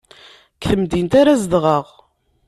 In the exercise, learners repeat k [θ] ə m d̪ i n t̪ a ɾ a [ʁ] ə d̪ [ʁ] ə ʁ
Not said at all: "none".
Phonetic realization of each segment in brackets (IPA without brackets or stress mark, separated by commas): θ, z, ʁ